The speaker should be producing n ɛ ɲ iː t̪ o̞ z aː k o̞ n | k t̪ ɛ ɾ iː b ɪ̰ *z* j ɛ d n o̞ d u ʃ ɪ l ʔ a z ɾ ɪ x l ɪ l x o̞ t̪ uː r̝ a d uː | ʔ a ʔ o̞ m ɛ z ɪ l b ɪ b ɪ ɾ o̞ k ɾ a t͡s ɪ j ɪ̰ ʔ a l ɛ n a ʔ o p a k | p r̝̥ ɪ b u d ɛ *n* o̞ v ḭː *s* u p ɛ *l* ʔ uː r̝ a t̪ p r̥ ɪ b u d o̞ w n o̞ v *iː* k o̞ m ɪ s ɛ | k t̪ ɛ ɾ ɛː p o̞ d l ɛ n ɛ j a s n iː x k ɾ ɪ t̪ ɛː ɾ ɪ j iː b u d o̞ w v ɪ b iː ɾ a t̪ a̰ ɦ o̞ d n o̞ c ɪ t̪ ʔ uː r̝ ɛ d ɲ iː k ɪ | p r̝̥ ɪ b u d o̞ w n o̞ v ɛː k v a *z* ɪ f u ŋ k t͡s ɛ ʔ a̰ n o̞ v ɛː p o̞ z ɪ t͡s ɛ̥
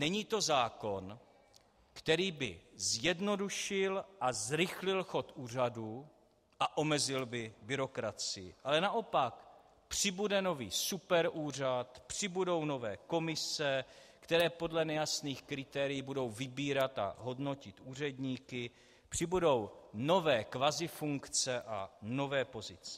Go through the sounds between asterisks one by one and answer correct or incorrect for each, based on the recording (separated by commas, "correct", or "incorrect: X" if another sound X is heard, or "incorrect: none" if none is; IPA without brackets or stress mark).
correct, correct, correct, incorrect: ɾ, incorrect: ɛː, correct